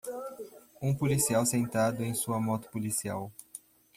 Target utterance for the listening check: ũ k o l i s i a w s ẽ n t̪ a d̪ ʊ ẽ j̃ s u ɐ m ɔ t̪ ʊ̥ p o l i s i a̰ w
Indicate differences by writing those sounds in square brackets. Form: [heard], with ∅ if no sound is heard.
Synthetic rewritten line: ũ [p] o l i s i a w s ẽ n t̪ a d̪ ʊ ẽ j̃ s u ɐ m ɔ t̪ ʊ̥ p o l i s i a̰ w